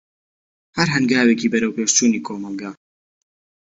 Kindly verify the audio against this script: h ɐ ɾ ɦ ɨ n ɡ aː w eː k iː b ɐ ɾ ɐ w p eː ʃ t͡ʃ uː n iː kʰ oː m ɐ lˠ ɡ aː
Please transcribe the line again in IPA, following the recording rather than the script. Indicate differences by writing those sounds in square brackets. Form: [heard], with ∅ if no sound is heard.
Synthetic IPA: h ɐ ɾ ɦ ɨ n ɡ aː w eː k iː b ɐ ɾ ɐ w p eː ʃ t͡ʃ uː n iː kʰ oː m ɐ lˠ ɡ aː